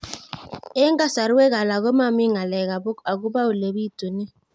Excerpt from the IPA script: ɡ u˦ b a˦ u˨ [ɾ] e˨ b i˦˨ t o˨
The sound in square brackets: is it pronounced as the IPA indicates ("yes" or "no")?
no